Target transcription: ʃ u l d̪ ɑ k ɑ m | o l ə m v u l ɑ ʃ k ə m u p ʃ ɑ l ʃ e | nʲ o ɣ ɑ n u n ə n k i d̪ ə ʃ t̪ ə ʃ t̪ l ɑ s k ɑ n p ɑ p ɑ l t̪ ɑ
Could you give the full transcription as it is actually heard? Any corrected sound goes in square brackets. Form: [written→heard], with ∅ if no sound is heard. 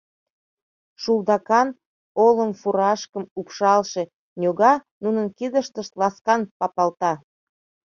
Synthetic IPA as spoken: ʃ u l d̪ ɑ k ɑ [m→n] | o l ə m [v→f] u [l→ɾ] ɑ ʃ k ə m u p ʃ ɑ l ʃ e | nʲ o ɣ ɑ n u n ə n k i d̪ ə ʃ t̪ ə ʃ t̪ l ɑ s k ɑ n p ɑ p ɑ l t̪ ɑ